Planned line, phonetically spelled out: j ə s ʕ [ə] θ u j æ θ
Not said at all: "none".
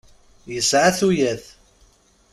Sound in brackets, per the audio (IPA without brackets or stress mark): a